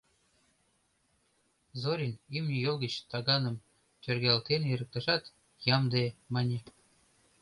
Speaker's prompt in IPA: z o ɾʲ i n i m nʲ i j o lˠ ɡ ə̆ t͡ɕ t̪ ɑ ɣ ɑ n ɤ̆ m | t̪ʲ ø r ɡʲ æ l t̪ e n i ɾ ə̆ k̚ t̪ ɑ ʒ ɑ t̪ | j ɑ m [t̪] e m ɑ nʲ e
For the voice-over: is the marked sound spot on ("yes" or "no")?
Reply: no